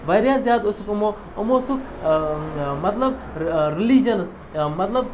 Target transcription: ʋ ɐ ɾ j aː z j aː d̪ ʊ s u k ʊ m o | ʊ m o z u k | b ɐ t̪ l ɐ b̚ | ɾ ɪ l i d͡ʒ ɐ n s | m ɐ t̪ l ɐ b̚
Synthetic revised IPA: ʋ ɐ ɾ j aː z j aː d̪ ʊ s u k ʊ m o | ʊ m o s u k | m ɐ t̪ l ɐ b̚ | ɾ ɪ l i d͡ʒ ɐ n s | m ɐ t̪ l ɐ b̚